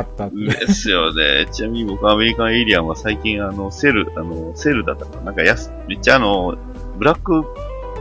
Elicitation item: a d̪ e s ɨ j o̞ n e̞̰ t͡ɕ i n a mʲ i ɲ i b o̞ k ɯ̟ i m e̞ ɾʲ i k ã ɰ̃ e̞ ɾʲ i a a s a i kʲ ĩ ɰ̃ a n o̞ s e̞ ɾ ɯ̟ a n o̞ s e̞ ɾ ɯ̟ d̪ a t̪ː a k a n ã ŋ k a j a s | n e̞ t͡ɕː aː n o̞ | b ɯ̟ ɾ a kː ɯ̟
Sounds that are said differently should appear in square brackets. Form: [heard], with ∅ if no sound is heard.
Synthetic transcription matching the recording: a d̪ e s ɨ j o̞ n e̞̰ t͡ɕ i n a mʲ i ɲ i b o̞ k ɯ̟ [a] m e̞ ɾʲ i k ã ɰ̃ e̞ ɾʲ i a a s a i kʲ ĩ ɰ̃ a n o̞ s e̞ ɾ ɯ̟ a n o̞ s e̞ ɾ ɯ̟ d̪ a t̪ː a k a n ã ŋ k a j a s | [m] e̞ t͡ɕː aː n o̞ | b ɯ̟ ɾ a kː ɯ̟